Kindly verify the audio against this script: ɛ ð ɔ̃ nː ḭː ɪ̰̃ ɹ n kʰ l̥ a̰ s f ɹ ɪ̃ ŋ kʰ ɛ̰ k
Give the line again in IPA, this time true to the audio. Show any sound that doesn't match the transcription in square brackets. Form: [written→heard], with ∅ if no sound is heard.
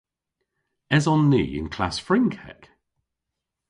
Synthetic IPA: ɛ [ð→z] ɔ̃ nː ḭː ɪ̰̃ [ɹ→∅] n kʰ l̥ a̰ s f ɹ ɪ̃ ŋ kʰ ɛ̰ k